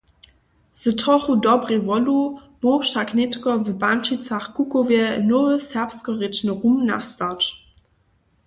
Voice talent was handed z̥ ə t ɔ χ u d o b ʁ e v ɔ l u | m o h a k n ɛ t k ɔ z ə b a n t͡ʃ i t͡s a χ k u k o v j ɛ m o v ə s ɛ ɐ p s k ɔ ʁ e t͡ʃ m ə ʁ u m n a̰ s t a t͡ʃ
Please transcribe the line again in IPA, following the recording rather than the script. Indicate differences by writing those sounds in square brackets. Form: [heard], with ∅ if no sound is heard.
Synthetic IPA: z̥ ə t ɔ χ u d [ɔ] b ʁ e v ɔ l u | m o [ʃ] a k n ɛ t k ɔ [v] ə b a n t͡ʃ i t͡s a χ k u k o v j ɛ [n] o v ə s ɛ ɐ p s k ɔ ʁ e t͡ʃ [n] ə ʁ u m n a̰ s t a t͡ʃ